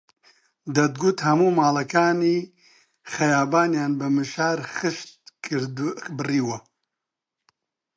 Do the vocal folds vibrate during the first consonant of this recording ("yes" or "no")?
yes